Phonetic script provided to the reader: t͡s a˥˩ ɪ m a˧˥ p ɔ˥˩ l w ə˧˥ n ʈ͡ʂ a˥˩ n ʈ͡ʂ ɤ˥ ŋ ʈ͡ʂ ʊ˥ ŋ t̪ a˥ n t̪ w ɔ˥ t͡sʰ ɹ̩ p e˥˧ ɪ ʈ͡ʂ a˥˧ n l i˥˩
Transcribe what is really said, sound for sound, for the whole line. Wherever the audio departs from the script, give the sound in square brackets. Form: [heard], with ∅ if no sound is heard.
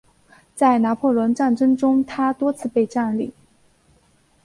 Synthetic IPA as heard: t͡s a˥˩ ɪ [n] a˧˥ [pʰ] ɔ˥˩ l w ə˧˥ n ʈ͡ʂ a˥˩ n ʈ͡ʂ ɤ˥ ŋ ʈ͡ʂ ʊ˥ ŋ [t̪ʰ] a˥ [∅] t̪ w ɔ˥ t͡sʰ ɹ̩ p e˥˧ ɪ ʈ͡ʂ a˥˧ n l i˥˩